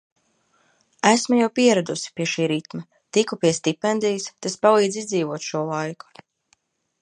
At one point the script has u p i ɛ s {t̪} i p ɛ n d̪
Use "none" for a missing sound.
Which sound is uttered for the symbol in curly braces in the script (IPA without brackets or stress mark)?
t̪